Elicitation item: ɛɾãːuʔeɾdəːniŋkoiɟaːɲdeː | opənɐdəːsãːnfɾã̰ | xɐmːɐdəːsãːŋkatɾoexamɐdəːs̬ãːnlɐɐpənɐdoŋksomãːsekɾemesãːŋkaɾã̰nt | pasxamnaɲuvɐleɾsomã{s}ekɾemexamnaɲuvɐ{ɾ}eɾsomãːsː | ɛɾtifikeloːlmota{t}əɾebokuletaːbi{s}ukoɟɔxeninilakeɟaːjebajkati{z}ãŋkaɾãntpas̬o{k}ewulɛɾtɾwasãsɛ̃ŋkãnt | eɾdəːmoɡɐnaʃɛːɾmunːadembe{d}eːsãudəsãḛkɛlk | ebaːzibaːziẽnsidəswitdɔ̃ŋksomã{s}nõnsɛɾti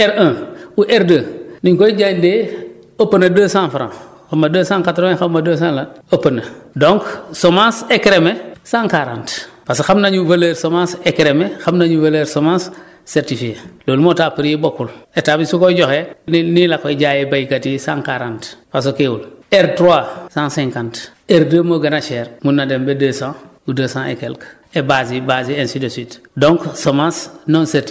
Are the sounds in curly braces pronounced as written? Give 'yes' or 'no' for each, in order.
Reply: yes, no, no, yes, no, yes, yes, yes

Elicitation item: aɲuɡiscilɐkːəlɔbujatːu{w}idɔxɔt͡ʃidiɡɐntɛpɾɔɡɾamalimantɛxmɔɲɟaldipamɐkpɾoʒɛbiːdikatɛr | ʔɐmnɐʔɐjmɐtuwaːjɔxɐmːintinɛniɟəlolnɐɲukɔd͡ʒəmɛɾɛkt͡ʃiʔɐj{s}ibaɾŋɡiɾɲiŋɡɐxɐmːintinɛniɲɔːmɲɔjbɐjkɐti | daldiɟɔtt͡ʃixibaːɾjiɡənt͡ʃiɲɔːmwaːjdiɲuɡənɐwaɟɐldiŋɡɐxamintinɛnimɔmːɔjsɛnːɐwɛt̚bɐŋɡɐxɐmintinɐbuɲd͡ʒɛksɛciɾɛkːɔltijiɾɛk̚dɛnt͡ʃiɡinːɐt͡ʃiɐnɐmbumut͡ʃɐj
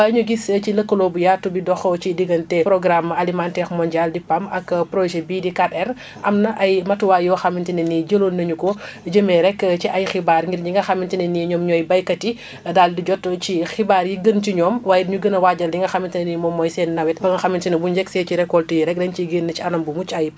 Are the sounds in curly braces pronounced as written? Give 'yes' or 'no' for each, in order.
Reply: no, no

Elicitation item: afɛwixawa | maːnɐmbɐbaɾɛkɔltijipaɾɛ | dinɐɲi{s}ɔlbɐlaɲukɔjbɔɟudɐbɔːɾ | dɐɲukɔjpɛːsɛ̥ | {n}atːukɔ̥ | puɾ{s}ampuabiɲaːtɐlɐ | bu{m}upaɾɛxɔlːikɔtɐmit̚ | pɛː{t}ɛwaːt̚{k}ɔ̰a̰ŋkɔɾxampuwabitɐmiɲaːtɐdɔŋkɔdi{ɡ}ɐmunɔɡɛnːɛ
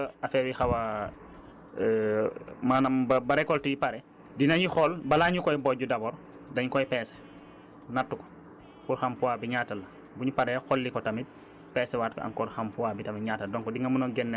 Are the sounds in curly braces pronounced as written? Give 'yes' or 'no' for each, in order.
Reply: no, yes, no, no, no, yes, no

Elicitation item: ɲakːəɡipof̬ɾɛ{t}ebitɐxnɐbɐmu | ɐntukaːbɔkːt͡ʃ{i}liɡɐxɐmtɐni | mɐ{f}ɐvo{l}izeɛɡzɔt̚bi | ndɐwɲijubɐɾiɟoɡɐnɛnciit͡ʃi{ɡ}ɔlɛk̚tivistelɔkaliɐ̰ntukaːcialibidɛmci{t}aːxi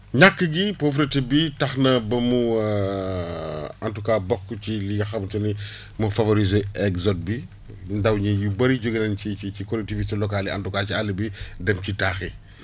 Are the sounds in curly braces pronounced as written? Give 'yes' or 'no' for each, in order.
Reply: yes, yes, yes, no, no, yes

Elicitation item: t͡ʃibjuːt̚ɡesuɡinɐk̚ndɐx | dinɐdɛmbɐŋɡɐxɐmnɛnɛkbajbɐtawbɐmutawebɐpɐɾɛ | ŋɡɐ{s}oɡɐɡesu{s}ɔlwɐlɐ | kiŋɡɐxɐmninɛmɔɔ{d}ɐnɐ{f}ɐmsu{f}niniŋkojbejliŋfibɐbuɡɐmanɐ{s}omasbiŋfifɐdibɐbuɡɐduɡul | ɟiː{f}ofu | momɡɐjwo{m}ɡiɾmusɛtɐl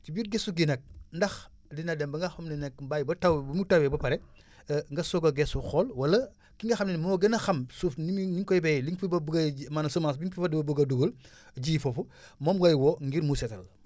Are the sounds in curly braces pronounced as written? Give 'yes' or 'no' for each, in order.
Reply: yes, no, no, no, yes, yes, yes, no

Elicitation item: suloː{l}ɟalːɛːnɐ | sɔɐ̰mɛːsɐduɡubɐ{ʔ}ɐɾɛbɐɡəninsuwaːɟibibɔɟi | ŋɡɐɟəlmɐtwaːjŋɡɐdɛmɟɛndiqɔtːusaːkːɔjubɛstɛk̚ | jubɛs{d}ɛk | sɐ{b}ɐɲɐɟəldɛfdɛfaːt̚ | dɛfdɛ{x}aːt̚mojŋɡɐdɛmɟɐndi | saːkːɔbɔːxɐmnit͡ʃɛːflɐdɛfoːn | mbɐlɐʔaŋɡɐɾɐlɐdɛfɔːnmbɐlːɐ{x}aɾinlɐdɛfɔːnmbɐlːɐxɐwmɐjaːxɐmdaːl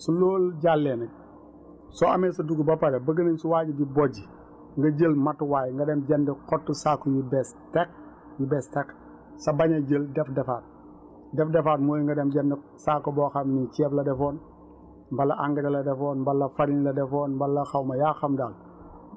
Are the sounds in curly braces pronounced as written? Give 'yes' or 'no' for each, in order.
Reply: yes, no, no, yes, no, no

